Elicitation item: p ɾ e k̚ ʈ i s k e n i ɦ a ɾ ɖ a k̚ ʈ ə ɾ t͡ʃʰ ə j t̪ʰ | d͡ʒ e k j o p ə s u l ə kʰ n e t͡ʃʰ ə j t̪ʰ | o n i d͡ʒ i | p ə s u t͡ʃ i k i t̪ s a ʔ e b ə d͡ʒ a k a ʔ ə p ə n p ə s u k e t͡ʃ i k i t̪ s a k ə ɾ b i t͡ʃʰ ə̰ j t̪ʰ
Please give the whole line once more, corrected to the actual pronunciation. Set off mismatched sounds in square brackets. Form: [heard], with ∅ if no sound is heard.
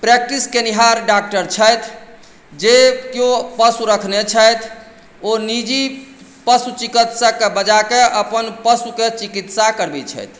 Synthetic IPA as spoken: p ɾ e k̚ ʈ i s k e n i ɦ a ɾ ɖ a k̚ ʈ ə ɾ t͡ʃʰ ə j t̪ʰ | d͡ʒ e k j o p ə s u [ɾ] ə kʰ n e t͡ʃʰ ə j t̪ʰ | o n i d͡ʒ i | p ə s u t͡ʃ i k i t̪ s a [k] e b ə d͡ʒ a k [e] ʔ ə p ə n p ə s u k e t͡ʃ i k i t̪ s a k ə ɾ b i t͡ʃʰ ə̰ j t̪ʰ

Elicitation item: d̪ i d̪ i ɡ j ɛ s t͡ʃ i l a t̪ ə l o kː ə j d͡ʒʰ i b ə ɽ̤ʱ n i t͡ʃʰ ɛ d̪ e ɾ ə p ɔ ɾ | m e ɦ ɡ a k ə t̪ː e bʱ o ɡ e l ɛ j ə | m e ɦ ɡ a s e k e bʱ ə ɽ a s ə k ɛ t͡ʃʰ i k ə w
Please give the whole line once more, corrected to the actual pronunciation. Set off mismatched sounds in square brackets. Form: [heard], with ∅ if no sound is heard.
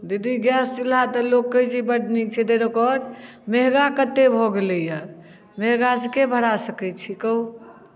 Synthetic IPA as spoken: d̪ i d̪ i ɡ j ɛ s t͡ʃ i l a t̪ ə l o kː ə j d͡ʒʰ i b ə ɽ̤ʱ n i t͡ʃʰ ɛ d̪ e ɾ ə [k] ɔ ɾ | m e ɦ ɡ a k ə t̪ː e bʱ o ɡ e l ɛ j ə | m e ɦ ɡ a s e k e bʱ ə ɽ a s ə k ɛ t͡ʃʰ i k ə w

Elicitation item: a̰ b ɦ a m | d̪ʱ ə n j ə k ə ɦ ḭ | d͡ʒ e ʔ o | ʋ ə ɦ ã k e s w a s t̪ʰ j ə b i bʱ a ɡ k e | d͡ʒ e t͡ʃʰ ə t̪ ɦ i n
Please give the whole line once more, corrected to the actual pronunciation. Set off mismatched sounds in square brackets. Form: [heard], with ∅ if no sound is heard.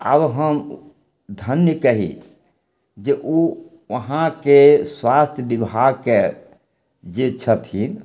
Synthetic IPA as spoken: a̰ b ɦ [ə] m | d̪ʱ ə n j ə k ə ɦ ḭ | d͡ʒ e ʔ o | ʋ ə ɦ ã k e s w a s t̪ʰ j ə b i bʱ a ɡ k e | d͡ʒ e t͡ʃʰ ə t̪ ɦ i n

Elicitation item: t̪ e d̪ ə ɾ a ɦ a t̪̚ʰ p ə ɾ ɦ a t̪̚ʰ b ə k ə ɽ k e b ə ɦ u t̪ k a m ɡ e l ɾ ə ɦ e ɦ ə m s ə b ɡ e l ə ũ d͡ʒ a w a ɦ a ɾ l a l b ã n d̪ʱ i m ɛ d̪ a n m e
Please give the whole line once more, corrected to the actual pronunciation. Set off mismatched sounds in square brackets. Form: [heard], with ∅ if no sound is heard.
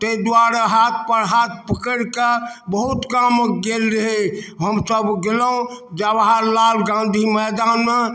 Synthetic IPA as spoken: t̪ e d̪ [a] ɾ a ɦ a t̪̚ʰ p ə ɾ ɦ a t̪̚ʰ [p] ə k ə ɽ k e b ə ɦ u t̪ k a m ɡ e l ɾ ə ɦ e ɦ ə m s ə b ɡ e l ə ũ d͡ʒ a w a ɦ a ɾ l a l [ɡ] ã n d̪ʱ i m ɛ d̪ a n m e

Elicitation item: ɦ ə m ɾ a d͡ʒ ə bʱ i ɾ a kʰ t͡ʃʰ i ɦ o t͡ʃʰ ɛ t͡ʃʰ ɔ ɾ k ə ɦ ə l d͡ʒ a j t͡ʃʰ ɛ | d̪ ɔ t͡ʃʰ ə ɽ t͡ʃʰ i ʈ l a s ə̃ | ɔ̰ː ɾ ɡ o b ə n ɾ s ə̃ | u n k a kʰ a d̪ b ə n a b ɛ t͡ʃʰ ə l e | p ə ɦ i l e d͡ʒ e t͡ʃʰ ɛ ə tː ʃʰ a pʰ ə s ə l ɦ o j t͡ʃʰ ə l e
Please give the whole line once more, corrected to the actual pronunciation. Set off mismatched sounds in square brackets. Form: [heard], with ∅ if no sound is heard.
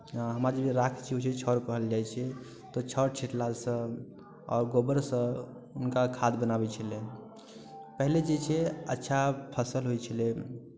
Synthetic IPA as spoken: ɦ ə m ɾ a d͡ʒ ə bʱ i ɾ a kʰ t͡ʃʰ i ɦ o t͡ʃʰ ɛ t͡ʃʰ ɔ ɾ k ə ɦ ə l d͡ʒ a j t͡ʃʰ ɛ | [t̪] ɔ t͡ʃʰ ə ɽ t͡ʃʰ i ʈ l a s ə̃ | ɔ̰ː ɾ ɡ o b ə [∅] ɾ s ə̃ | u n k a kʰ a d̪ b ə n a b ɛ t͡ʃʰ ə l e | p ə ɦ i l e d͡ʒ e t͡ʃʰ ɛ ə tː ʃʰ a pʰ ə s ə l ɦ o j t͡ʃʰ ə l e

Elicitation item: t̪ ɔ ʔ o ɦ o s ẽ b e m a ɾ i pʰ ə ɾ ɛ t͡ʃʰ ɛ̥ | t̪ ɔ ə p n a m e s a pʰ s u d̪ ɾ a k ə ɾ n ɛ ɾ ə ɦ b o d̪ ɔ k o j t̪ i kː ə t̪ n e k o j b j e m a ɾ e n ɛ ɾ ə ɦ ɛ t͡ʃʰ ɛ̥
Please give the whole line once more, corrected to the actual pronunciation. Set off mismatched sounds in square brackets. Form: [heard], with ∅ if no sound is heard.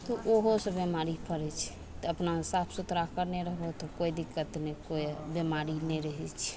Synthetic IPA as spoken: t̪ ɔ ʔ o ɦ o s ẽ b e m a ɾ i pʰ ə ɾ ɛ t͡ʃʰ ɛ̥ | t̪ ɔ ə p n a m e s a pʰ s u [t̪] ɾ a k ə ɾ n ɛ ɾ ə ɦ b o [t̪] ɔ k o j [d̪] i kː ə t̪ n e k o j b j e m a ɾ [i] n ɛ ɾ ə ɦ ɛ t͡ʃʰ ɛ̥

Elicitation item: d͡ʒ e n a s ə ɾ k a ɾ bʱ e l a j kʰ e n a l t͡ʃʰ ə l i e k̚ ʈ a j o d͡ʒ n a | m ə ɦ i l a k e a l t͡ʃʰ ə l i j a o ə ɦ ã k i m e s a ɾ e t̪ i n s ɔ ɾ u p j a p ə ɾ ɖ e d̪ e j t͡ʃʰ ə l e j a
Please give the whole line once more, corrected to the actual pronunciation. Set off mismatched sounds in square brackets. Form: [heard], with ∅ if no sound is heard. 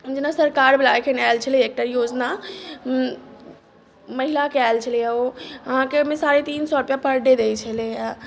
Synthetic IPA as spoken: d͡ʒ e n a s ə ɾ k a ɾ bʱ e l a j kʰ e n a l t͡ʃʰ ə l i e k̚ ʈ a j o d͡ʒ n a | m ə ɦ i l a k e a l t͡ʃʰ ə l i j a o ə ɦ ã k [e] m e s a ɾ e t̪ i n s ɔ ɾ u p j a p ə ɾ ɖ e d̪ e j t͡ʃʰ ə l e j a

